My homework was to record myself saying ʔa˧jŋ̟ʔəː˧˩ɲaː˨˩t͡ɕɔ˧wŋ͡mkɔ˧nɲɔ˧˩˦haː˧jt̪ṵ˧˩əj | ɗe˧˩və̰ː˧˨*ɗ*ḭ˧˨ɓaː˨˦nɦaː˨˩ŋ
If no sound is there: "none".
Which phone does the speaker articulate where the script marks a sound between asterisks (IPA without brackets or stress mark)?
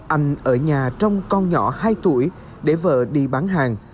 ɗ